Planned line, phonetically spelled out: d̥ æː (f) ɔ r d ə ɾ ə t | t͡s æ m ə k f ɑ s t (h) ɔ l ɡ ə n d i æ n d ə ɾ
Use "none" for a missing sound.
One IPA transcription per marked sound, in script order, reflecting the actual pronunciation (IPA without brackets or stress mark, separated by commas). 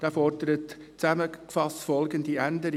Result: f, f